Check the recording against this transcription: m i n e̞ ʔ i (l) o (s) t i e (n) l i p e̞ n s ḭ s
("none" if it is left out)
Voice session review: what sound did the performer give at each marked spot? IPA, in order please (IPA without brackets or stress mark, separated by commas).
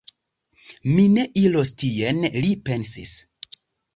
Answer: l, s, n